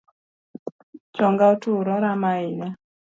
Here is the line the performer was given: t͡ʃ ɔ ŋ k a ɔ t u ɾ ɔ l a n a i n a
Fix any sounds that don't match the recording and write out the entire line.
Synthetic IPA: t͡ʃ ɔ ŋ ɡ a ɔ t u ɾ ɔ ɾ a m a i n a